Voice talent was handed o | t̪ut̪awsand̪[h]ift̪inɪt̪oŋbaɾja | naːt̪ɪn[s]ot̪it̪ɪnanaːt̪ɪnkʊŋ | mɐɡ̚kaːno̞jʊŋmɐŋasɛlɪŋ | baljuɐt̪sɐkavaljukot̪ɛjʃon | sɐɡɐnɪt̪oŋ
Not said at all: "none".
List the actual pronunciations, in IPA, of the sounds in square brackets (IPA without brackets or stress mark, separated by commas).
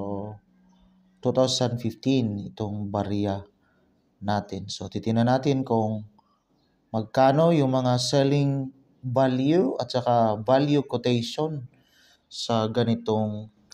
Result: f, s